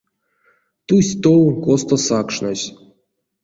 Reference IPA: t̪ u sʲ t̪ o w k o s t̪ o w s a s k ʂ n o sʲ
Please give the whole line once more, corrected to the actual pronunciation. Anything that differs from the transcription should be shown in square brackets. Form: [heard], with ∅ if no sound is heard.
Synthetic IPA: t̪ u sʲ t̪ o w k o s t̪ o [∅] s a [∅] k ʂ n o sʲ

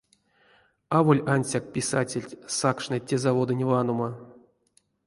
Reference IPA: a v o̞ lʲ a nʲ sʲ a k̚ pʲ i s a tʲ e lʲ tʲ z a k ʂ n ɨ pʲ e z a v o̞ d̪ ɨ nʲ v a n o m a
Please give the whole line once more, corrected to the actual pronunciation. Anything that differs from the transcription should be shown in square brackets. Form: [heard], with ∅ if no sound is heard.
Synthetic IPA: a v o̞ lʲ a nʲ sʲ a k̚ pʲ i s a tʲ e lʲ tʲ [s] a k ʂ n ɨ [tʲ] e z a v o̞ d̪ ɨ nʲ v a n o m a

